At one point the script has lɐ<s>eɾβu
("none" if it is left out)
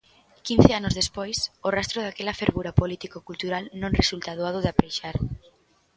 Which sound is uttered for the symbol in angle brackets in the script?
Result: f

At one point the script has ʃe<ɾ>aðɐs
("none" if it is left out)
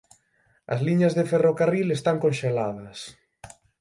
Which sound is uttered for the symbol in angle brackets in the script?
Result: l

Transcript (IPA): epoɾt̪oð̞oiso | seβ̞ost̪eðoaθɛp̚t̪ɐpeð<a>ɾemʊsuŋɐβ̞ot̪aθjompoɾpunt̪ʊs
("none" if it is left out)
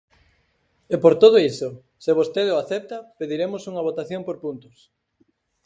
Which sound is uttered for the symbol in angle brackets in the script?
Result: i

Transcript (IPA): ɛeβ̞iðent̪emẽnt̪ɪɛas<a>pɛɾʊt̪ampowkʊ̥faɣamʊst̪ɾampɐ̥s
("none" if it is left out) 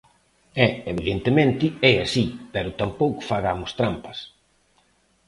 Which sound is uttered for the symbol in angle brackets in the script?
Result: i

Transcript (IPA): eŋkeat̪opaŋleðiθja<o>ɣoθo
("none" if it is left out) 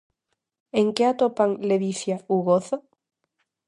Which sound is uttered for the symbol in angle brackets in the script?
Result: u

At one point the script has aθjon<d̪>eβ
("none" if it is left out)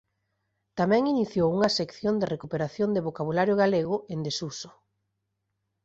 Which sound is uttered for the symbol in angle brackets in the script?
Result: d̪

